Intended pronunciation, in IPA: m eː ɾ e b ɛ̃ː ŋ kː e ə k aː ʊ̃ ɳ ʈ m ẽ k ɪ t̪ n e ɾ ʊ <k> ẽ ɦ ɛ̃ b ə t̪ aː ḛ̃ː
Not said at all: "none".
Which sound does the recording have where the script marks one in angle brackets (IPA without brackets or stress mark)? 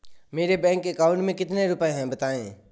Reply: p